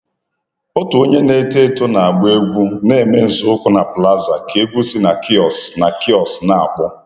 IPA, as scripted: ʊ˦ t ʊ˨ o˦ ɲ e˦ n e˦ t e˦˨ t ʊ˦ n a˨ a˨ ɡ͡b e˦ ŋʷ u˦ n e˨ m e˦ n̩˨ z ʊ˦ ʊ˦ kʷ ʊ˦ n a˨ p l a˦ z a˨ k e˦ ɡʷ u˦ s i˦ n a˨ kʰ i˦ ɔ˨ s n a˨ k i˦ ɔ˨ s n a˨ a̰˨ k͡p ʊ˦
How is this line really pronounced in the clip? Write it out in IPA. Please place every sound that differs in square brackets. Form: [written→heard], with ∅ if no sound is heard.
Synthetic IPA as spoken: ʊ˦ t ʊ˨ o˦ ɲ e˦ n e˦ t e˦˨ t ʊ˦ n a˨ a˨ ɡ͡b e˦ [ŋʷ→ɡʷ] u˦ n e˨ m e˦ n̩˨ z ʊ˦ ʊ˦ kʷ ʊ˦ n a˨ p l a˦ z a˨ k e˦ ɡʷ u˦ s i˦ n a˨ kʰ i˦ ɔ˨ s n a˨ k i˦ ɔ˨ s n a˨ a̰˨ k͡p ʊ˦